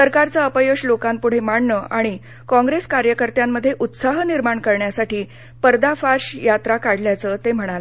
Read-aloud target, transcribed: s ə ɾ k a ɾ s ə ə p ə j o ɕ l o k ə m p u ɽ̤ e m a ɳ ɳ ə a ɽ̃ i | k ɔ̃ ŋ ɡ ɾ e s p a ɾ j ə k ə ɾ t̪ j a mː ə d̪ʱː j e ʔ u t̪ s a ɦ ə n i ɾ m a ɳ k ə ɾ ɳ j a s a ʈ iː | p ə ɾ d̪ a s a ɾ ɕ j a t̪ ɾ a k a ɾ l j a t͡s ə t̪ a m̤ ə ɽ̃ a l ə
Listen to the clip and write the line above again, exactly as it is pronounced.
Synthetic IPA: s ə ɾ k a ɾ t͡s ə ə p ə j o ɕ l o k a m p u ɽ̤ e m a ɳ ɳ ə a ɽ̃ i | k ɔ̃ ŋ ɡ ɾ e s k a ɾ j ə k ə ɾ t̪ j a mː ə d̪ʱː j e ʔ u t̪ s a ɦ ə n i ɾ m a ɳ k ə ɾ ɳ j a s a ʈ iː | p ə ɾ d̪ a f a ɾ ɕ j a t̪ ɾ a k a ɽ l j a t͡s ə t̪ e m̤ ə ɽ̃ a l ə